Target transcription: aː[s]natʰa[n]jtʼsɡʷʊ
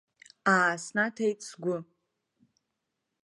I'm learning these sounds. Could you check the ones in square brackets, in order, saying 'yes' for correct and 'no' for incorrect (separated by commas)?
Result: yes, no